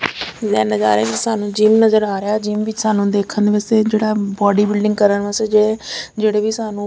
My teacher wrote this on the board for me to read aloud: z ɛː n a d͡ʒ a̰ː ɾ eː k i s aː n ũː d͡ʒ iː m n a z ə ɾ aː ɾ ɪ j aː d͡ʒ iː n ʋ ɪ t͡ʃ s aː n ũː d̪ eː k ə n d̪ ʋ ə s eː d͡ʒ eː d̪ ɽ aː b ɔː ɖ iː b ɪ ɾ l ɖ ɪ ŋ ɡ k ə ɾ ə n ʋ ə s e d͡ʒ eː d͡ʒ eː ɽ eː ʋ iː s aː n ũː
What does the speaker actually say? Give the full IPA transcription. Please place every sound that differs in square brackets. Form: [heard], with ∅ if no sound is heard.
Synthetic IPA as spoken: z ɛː n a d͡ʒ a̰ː ɾ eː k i s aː n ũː d͡ʒ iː m n [ə] z ə ɾ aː ɾ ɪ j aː d͡ʒ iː [m] ʋ ɪ t͡ʃ s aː n ũː d̪ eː [kʰ] ə n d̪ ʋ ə s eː d͡ʒ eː [∅] ɽ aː b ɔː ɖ iː b ɪ [∅] l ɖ ɪ ŋ ɡ k ə ɾ ə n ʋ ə s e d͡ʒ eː d͡ʒ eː ɽ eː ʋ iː s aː n ũː